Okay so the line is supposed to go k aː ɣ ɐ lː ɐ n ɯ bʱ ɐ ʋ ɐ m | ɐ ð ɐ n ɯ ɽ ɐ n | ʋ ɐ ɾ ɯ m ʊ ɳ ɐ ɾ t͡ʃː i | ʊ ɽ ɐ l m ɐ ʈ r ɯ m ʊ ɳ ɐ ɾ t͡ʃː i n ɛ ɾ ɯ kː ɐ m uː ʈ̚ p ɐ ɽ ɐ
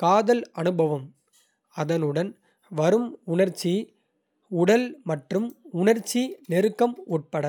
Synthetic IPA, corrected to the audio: k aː ð ɐ l ɐ n ɯ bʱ ɐ ʋ ɐ m | ɐ ð ɐ n ɯ ɽ ɐ n | ʋ ɐ ɾ ɯ m ʊ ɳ ɐ ɾ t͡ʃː i | ʊ ɽ ɐ l m ɐ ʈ r ɯ m ʊ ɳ ɐ ɾ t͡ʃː i n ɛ ɾ ɯ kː ɐ m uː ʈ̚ p ɐ ɽ ɐ

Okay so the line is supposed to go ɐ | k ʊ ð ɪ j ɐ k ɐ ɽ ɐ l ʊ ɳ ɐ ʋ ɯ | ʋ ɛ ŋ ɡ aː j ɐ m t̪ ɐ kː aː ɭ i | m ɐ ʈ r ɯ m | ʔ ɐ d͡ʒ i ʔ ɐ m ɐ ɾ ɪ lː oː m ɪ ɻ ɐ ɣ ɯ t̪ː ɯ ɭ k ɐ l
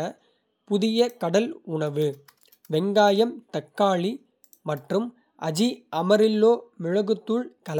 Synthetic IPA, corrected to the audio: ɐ | p ʊ ð ɪ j ɐ k ɐ ɽ ɐ l ʊ ɳ ɐ ʋ ɯ | ʋ ɛ ŋ ɡ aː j ɐ m t̪ ɐ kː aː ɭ i | m ɐ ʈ r ɯ m | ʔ ɐ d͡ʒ i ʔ ɐ m ɐ ɾ ɪ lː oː m ɪ ɻ ɐ ɣ ɯ t̪ː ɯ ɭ k ɐ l

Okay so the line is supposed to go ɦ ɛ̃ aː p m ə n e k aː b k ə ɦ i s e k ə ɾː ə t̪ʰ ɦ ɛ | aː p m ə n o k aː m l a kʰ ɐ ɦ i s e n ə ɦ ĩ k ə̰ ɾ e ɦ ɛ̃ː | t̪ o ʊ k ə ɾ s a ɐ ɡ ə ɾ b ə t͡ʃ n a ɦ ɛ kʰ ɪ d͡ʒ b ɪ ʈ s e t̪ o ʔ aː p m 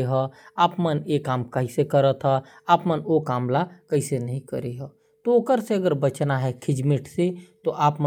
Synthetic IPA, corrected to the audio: ɦ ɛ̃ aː p m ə n e k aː m k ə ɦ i s e k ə ɾ ə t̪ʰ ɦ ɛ | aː p m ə n o k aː m l a k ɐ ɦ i s e n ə ɦ ĩ k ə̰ ɾ e ɦ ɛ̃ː | t̪ o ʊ k ə ɾ s e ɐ ɡ ə ɾ b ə t͡ʃ n a ɦ ɛ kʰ ɪ d͡ʒ m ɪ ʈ s e t̪ o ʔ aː p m

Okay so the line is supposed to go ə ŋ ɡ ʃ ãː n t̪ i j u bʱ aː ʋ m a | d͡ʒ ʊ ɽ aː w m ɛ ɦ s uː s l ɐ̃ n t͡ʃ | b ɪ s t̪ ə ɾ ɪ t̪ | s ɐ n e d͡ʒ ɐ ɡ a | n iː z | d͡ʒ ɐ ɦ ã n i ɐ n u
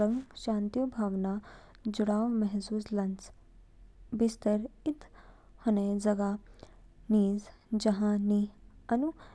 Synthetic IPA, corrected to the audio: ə ŋ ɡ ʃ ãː n t̪ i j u bʱ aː ʋ n a | d͡ʒ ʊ ɽ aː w m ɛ ɦ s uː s l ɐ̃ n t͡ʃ | b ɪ s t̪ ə ɾ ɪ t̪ | h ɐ n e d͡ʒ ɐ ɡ a | n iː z | d͡ʒ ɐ ɦ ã n i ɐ n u

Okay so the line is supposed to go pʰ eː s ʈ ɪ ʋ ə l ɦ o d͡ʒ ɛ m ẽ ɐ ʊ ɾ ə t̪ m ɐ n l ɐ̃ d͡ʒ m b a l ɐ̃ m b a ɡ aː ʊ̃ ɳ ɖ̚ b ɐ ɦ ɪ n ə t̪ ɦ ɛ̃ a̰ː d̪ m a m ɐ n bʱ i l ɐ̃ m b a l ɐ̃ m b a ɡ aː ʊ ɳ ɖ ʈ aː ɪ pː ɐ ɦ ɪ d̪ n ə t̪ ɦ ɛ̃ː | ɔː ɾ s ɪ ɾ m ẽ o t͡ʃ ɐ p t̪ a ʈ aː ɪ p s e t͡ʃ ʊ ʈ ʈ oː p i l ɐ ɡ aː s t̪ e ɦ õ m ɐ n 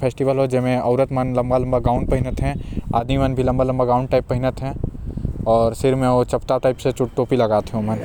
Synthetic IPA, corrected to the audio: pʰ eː s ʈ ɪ ʋ ə l ɦ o d͡ʒ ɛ m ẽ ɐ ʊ ɾ ə t̪ m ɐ n l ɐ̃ m b a l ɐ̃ m b a ɡ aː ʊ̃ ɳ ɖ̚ p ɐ ɦ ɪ n ə t̪ ɦ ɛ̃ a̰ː d̪ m i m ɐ n bʱ i l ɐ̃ m b a l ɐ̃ m b a ɡ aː ʊ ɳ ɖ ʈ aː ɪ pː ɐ ɦ ɪ n ə t̪ ɦ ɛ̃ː | ɔː ɾ s ɪ ɾ m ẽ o t͡ʃ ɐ p t̪ a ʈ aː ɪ p s e t͡ʃ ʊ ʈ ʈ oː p i l ɐ ɡ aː t̪ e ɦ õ m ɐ n

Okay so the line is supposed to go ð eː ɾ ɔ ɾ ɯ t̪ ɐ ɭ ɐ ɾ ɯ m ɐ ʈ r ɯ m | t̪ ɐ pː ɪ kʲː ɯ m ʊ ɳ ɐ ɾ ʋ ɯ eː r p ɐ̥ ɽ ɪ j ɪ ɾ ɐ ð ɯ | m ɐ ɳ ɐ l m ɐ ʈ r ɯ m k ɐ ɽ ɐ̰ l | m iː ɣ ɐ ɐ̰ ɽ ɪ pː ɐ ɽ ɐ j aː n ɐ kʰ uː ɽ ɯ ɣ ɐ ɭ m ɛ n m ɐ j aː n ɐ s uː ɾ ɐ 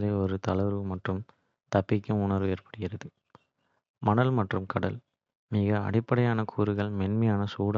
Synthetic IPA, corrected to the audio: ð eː ɔ ɾ ɯ t̪ ɐ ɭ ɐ ɾ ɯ m ɐ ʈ r ɯ m | t̪ ɐ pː ɪ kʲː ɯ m ʊ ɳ ɐ ɾ ʋ ɯ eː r p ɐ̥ ɽ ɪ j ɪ ɾ ɐ ð ɯ | m ɐ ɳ ɐ l m ɐ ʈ r ɯ m k ɐ ɽ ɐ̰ l | m iː ɣ ɐ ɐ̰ ɽ ɪ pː ɐ ɽ ɐ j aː n ɐ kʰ uː ɾ ɯ ɣ ɐ ɭ m ɛ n m ɐ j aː n ɐ s uː ɽ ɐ

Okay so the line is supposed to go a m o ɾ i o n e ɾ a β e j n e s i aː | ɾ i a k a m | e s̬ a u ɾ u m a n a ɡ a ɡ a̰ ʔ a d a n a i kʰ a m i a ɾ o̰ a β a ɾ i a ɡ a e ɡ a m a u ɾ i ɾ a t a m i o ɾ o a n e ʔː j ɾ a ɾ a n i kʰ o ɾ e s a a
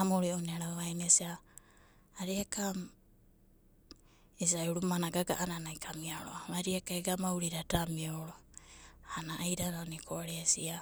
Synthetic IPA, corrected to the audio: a m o ɾ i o n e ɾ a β a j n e s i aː | ɾ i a k a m | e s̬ a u ɾ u m a n a ɡ a ɡ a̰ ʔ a n a n a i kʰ a m i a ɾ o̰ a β a ɾ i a k a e ɡ a m a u ɾ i ɾ a t a m i o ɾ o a n a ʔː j ɾ a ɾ a n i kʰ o ɾ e s i a

